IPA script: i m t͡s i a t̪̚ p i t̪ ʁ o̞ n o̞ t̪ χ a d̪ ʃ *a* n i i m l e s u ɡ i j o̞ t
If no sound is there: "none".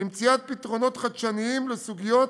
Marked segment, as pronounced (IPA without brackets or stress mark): a